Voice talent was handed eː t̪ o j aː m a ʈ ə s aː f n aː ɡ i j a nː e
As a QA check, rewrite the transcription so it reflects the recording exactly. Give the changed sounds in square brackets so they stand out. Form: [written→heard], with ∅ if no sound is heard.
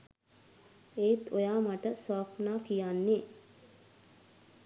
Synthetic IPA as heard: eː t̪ o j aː m a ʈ ə s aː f n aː [ɡ→k] i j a nː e